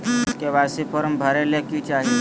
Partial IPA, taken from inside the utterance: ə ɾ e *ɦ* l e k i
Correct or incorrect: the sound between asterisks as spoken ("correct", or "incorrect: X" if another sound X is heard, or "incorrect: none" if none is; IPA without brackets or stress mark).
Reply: incorrect: none